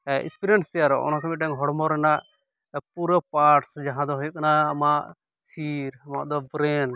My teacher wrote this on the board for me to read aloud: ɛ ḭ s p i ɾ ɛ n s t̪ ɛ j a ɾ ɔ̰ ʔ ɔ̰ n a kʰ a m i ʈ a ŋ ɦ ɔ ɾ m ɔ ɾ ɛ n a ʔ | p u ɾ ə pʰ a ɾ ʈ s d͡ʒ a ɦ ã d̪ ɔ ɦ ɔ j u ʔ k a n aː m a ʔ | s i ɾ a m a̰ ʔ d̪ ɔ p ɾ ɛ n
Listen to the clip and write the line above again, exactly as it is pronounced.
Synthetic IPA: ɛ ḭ s p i ɾ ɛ n s t̪ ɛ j a ɾ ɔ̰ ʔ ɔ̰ n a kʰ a m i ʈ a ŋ ɦ ɔ ɽ m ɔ ɾ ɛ n a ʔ | p u ɾ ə p a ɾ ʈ s d͡ʒ a ɦ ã d̪ ɔ ɦ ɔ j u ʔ k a n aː m a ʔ | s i ɾ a m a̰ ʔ d̪ ɔ b ɾ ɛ n